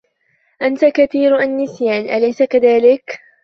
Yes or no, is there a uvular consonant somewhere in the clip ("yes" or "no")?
no